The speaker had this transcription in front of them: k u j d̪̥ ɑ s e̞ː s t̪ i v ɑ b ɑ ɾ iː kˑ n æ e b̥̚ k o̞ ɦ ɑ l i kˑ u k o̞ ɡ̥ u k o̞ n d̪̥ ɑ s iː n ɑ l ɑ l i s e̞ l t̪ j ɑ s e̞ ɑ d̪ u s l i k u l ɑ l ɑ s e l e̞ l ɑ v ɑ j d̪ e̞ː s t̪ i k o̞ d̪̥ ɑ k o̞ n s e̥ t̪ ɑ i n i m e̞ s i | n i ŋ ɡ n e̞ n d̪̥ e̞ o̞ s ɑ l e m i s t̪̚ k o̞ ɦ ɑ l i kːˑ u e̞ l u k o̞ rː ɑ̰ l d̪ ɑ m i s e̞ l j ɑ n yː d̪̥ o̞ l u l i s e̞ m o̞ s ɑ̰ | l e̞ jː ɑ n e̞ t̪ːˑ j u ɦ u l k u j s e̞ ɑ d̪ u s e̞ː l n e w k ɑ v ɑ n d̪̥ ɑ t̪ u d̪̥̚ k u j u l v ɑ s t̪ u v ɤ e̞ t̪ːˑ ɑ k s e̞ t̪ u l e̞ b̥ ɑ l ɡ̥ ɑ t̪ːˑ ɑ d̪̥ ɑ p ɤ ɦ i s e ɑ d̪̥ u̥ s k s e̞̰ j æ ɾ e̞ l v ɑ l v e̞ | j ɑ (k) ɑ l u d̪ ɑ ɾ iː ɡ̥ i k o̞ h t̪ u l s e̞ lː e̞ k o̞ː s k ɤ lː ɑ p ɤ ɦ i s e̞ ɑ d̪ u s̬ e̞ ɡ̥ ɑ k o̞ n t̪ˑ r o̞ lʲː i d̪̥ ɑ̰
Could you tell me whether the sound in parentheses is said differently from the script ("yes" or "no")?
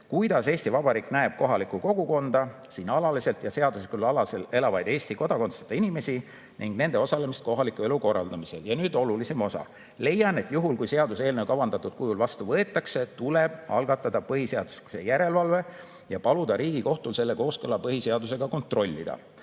yes